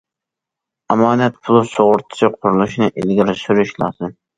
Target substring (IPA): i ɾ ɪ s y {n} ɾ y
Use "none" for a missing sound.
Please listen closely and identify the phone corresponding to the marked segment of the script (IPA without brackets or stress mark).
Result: none